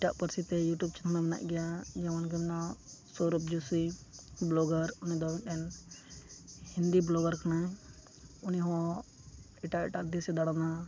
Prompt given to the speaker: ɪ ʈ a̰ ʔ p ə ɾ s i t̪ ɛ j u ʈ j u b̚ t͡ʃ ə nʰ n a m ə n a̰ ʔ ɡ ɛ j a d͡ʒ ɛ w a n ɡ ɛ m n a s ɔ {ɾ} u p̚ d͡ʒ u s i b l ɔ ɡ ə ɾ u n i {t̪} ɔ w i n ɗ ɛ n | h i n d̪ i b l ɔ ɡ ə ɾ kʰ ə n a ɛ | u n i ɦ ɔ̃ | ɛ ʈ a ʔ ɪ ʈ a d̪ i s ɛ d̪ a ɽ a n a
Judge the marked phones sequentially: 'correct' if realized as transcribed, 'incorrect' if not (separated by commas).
correct, incorrect